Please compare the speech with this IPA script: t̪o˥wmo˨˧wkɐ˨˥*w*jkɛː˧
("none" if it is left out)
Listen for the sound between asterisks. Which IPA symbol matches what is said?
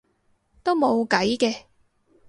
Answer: none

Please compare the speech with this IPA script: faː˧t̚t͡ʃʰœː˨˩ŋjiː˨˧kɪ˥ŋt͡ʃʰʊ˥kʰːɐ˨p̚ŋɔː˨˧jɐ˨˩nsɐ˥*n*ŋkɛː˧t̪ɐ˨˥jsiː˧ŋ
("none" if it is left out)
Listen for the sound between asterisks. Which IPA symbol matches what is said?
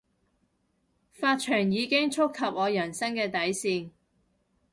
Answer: none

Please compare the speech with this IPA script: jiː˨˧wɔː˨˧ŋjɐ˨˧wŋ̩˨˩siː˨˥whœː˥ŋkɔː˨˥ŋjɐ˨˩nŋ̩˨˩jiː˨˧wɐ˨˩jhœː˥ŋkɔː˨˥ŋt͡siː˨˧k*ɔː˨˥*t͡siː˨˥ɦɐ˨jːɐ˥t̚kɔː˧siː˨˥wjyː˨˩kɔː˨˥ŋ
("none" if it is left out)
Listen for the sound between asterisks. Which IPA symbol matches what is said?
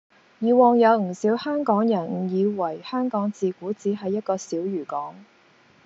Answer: uː˨˥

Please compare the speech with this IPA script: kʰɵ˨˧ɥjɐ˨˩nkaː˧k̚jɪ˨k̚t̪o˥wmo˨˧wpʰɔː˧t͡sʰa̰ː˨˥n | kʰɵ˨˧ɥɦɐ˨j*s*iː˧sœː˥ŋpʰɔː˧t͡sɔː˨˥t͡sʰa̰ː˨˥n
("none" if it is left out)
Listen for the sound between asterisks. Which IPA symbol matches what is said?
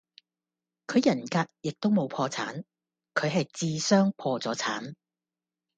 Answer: t͡s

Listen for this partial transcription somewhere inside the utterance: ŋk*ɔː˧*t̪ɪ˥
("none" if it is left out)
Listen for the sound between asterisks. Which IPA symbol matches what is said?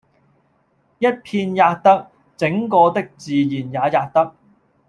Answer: ɔː˧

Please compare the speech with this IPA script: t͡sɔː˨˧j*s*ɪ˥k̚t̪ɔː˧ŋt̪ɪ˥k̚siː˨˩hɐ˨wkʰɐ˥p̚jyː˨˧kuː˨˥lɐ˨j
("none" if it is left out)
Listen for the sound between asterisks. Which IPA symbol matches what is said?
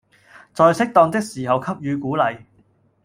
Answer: s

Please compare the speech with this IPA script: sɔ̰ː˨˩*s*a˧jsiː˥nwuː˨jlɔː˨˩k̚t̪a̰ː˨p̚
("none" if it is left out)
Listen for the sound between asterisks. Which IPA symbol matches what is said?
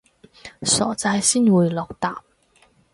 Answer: t͡s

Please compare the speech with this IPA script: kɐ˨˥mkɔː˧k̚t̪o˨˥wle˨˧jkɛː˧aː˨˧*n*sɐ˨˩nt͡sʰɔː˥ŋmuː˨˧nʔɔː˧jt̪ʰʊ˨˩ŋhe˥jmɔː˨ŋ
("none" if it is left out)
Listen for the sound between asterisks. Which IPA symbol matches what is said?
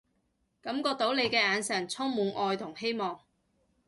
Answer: n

